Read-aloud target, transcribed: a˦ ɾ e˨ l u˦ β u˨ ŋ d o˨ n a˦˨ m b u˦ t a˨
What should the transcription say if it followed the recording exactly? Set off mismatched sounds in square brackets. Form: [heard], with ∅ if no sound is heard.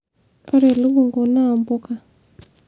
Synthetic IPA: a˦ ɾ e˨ l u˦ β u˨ ŋ [ɡ] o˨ n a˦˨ m b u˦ [k] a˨